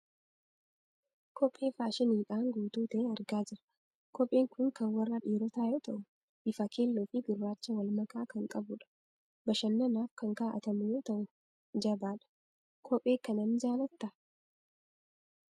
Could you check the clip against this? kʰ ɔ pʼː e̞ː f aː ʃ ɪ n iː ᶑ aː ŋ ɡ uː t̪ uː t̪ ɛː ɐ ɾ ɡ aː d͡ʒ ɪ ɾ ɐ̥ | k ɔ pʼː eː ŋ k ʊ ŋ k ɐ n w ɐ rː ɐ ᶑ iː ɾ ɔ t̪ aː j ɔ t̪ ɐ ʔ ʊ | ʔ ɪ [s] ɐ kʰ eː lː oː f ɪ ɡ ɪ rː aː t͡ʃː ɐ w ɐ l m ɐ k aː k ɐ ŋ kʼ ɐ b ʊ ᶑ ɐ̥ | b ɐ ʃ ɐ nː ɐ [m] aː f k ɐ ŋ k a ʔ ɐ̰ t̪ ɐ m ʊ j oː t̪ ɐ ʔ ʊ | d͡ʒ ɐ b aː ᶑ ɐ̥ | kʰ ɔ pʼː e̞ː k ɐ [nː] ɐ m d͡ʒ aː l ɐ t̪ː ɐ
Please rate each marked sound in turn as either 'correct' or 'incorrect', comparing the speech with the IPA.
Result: incorrect, incorrect, incorrect

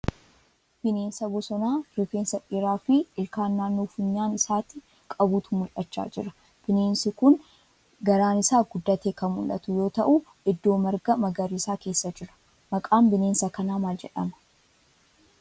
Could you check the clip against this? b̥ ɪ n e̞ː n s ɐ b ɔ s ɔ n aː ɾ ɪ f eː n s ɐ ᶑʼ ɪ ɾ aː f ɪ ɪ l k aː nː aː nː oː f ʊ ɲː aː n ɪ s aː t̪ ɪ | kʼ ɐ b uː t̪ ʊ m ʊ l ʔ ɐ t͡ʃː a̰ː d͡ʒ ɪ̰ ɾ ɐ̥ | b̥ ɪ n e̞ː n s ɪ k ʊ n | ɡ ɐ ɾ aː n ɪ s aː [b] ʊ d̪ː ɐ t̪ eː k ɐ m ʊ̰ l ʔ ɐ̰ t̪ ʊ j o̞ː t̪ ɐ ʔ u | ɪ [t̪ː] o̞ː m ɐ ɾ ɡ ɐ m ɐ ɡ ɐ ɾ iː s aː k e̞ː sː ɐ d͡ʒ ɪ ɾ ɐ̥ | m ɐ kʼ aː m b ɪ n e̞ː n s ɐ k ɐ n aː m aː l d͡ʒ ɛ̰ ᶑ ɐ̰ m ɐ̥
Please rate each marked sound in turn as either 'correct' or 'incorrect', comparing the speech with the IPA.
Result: incorrect, incorrect

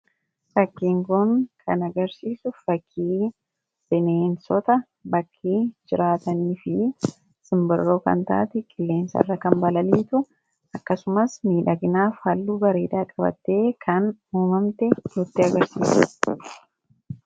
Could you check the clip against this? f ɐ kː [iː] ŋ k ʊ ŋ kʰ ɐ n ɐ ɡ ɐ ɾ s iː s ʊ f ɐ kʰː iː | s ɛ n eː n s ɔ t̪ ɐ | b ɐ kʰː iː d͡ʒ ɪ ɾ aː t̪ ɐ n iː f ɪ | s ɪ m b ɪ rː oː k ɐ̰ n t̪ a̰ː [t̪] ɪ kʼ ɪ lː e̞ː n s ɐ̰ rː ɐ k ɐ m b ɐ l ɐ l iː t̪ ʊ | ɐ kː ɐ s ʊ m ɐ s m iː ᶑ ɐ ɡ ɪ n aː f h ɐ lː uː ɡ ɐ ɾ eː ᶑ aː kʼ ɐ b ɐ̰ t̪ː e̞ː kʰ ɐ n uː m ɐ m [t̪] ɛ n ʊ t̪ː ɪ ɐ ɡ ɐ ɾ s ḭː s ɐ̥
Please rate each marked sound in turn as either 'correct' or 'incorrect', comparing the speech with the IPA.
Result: correct, correct, correct

